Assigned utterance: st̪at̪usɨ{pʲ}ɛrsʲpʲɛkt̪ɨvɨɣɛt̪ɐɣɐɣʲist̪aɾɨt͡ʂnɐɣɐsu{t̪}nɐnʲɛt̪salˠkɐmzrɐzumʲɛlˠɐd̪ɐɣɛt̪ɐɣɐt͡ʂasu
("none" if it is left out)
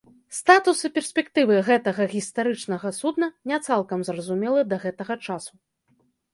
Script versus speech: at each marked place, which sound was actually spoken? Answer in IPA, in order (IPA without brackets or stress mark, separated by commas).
pʲ, d̪